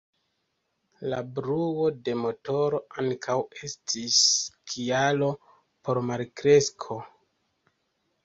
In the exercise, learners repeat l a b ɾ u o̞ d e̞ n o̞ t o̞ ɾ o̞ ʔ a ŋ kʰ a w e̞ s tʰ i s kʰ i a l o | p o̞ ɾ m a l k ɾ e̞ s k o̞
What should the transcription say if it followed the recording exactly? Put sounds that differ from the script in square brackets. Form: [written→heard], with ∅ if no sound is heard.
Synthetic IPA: l a b ɾ u o̞ d e̞ [n→m] o̞ t o̞ ɾ o̞ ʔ a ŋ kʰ a w e̞ s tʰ i s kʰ i a l o | p o̞ ɾ m a l k ɾ e̞ s [k→kʰ] o̞